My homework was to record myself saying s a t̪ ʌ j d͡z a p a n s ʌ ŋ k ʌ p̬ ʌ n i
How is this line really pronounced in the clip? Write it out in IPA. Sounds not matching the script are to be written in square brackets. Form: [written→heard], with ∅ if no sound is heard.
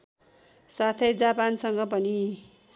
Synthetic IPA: s a [t̪→t̪ʰ] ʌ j d͡z a p a n s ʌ ŋ [k→ɡ] ʌ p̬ ʌ n i